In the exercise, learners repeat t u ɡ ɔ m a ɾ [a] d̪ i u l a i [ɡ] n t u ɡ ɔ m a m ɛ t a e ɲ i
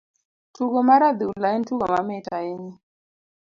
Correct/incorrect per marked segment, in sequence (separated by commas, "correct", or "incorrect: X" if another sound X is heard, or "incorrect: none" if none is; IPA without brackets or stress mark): correct, incorrect: none